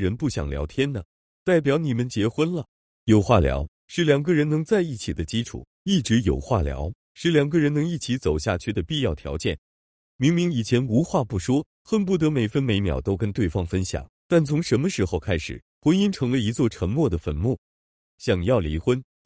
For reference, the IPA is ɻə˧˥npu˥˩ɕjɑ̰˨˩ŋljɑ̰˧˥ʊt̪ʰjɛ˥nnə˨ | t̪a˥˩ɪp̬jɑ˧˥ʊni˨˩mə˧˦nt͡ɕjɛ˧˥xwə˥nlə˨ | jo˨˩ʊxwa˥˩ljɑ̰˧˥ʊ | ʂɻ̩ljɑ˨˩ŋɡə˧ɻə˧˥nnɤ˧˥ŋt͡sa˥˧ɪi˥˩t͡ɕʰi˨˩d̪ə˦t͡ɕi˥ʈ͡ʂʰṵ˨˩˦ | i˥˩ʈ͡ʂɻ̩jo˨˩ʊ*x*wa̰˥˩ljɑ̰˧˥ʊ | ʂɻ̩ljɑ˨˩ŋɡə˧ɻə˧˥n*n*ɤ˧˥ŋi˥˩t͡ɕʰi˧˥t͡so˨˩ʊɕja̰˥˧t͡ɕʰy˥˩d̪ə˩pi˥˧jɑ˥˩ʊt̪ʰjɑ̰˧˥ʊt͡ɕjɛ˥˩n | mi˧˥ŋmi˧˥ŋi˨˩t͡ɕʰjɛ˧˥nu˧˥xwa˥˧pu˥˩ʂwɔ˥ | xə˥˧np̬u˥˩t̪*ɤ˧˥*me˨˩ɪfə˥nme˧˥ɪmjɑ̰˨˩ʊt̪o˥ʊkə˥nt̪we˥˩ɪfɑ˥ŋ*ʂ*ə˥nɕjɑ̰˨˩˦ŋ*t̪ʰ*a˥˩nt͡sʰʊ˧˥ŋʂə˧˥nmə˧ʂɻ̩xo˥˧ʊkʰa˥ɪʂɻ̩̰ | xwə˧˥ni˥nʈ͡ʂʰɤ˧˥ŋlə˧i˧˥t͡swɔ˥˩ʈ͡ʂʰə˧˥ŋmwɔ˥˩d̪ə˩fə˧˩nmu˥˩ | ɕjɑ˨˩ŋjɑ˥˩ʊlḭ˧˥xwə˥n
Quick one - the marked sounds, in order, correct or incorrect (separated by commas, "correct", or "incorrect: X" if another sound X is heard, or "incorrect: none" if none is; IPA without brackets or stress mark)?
correct, correct, correct, incorrect: f, incorrect: t̪